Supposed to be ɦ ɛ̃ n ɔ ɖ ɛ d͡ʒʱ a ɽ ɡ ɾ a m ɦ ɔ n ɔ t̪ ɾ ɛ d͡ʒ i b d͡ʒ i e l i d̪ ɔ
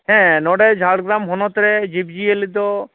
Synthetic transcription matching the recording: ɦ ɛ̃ n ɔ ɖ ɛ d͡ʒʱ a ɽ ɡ ɾ a m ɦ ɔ n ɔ t̪ ɾ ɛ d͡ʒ i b d͡ʒ i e l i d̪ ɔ

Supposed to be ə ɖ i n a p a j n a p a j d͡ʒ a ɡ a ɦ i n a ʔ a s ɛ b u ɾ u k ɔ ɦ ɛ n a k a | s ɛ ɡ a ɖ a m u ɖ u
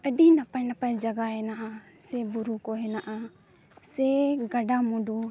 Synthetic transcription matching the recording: ə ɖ i n a p a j n a p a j d͡ʒ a ɡ a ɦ ɛ n a ʔ a s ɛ b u ɾ u k ɔ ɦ ɛ n a ʔ a | s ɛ ɡ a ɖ a m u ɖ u

